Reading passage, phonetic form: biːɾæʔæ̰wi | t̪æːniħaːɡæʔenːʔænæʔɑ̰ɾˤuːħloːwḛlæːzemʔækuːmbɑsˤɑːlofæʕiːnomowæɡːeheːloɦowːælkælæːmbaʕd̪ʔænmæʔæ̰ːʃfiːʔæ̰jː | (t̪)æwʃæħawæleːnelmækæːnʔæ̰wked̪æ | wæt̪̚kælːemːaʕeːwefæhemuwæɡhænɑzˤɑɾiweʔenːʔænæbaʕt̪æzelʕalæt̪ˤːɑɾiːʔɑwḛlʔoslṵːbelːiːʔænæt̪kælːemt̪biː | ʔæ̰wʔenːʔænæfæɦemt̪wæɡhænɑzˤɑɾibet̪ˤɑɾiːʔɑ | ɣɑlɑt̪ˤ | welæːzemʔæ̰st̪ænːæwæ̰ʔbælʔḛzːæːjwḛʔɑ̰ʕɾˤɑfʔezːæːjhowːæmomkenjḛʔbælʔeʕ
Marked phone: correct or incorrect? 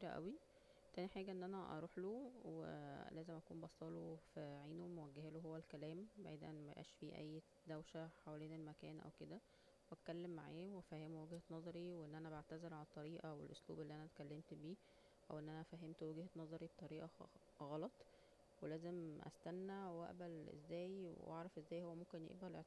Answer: incorrect